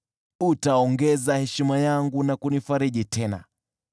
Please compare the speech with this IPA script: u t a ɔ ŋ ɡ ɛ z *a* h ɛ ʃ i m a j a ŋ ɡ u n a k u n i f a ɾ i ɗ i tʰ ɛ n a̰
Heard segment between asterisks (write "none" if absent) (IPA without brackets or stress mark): a